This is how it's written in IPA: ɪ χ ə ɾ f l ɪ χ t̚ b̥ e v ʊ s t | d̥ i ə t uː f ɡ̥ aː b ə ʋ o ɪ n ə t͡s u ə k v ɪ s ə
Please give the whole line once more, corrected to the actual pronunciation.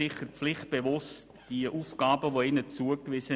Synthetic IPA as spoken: ɪ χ ə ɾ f l ɪ χ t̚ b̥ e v ʊ s t | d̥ i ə ʔ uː f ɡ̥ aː b ə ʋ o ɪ n ə t͡s u ə k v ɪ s ə